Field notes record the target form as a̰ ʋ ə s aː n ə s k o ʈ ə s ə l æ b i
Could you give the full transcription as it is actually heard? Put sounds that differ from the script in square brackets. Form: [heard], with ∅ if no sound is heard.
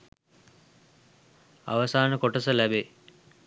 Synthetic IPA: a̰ ʋ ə s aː n ə [∅] k o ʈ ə s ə l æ b [e]